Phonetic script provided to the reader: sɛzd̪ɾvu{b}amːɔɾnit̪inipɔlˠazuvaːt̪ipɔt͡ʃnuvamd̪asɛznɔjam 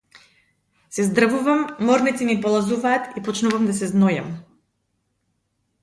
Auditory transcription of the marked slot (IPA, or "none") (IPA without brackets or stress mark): v